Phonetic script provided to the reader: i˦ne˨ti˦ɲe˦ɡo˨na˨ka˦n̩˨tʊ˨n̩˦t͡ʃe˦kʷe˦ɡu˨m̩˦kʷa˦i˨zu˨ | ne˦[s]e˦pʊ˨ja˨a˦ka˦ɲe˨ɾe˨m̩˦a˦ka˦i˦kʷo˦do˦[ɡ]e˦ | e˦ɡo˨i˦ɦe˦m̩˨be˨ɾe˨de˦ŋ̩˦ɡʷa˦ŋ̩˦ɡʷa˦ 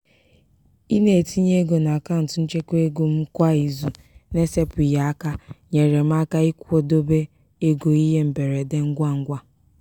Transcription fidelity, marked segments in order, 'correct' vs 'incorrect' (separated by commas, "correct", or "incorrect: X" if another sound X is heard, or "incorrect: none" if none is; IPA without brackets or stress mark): correct, incorrect: b